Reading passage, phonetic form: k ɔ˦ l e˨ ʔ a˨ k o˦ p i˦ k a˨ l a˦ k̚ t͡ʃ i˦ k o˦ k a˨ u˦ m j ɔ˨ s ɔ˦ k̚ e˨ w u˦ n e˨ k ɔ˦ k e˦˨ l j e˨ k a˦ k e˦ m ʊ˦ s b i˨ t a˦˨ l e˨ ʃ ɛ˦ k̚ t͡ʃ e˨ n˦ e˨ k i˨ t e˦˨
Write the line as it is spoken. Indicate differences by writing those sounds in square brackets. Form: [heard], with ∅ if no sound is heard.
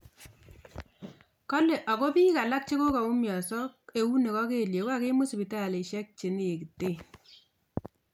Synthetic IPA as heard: k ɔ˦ l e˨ ʔ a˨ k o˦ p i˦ k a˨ l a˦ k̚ t͡ʃ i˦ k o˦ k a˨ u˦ m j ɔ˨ s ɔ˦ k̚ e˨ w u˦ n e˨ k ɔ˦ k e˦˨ l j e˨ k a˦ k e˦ m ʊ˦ s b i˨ t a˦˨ l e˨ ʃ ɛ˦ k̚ t͡ʃ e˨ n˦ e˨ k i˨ t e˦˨